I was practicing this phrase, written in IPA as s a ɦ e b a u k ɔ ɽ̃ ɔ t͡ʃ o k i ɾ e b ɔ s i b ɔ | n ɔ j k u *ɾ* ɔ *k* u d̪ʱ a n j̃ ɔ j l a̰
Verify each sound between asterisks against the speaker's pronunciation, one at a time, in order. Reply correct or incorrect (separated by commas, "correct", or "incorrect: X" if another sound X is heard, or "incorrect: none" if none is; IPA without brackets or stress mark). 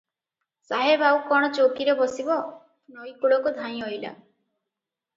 incorrect: ɭ, correct